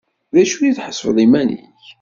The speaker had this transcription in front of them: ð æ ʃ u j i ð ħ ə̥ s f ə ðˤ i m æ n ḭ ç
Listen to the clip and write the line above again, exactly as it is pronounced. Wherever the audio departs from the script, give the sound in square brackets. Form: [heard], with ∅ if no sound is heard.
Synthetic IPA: ð æ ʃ u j i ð ħ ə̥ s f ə ðˤ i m æ n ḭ ç